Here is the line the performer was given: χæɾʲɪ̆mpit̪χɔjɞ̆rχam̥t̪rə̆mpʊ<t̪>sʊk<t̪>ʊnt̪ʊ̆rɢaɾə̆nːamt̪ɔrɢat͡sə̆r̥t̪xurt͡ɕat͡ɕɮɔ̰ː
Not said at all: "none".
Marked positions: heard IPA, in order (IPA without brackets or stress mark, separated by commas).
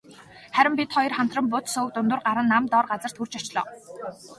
t̪, t̪